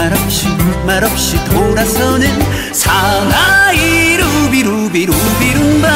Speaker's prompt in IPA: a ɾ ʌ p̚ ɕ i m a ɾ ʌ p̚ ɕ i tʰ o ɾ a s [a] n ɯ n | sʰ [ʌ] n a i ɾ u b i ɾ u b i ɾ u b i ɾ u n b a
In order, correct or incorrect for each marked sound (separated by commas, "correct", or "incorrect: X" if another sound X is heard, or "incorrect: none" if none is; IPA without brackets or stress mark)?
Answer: incorrect: ʌ, incorrect: a